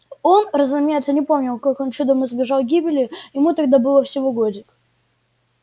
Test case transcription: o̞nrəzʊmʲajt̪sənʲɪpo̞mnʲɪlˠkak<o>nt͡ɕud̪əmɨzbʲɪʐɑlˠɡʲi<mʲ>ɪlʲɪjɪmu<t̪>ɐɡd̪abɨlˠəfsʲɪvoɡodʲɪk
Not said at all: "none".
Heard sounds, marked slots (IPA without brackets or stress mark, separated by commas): o, bʲ, t̪